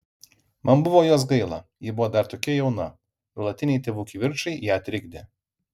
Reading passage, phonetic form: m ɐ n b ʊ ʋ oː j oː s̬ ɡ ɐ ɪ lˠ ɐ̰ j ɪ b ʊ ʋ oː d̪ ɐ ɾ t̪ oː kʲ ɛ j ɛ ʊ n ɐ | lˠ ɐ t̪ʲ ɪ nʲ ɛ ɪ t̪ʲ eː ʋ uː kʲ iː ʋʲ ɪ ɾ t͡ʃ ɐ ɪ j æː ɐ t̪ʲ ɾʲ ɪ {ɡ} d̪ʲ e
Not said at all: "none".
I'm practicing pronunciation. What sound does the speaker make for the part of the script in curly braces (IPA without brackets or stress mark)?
ɡ